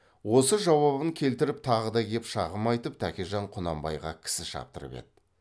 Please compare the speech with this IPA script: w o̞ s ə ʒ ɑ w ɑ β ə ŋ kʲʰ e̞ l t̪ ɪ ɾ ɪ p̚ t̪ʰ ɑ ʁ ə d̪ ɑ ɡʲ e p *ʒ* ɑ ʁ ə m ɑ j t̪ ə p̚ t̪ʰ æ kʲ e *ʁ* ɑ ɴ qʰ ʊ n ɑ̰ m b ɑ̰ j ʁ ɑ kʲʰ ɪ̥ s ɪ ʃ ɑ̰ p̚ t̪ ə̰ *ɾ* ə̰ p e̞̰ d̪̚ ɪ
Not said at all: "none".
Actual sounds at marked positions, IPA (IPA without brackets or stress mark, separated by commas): ʃ, ʒ, ɾ